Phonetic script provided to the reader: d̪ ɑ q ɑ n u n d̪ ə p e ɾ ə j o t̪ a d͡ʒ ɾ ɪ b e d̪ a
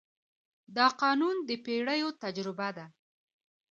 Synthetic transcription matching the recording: d̪ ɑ q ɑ n u n d̪ ə p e ɽ ə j o t̪ a d͡ʒ ɾ ɪ b a d̪ a